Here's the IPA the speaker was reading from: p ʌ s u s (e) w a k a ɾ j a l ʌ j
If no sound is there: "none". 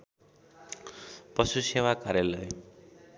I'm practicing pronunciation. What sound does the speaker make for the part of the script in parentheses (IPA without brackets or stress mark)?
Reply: e